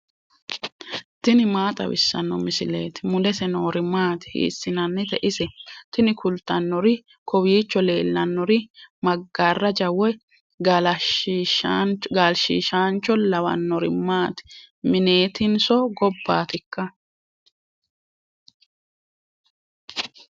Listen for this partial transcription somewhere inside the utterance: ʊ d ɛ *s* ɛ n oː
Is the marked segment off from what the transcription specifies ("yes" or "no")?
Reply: no